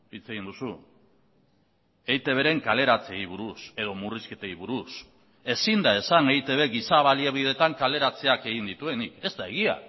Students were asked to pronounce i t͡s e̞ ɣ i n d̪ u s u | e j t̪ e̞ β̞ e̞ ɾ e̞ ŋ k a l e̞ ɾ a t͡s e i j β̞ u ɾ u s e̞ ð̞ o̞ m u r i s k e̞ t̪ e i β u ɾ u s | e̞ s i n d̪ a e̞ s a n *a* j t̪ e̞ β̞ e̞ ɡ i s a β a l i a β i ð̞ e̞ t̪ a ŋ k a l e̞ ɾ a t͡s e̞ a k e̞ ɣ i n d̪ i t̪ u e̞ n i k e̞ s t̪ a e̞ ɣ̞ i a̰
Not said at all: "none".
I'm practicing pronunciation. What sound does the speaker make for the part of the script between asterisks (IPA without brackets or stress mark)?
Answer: e